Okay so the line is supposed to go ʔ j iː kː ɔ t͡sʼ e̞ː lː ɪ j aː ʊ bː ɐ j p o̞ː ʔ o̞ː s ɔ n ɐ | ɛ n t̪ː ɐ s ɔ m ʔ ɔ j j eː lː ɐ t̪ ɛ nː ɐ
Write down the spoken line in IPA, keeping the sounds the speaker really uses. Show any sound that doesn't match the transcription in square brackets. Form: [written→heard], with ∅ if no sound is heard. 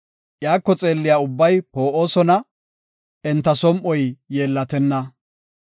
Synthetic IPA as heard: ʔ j [iː→aː] kː ɔ t͡sʼ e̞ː lː ɪ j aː ʊ bː ɐ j p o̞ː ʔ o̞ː s ɔ n ɐ | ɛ n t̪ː ɐ s ɔ m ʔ ɔ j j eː lː ɐ t̪ ɛ nː ɐ